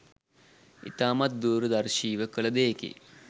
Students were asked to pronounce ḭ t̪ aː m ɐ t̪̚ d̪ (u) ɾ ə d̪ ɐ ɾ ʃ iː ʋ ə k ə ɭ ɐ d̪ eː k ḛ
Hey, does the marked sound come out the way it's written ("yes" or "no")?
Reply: no